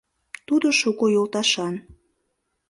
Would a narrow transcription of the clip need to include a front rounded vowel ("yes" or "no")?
no